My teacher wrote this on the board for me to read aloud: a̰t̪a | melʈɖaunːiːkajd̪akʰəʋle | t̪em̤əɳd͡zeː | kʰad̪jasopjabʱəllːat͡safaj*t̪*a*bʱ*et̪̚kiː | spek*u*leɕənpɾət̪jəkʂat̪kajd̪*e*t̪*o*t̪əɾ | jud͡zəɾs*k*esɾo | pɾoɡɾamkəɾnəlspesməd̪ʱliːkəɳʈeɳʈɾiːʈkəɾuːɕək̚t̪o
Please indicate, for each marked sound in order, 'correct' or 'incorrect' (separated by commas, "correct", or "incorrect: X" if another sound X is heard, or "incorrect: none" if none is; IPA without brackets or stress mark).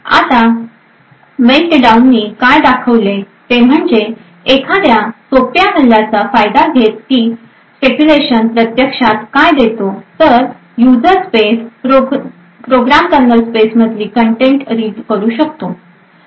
incorrect: d̪, incorrect: ɡʱ, correct, correct, correct, incorrect: p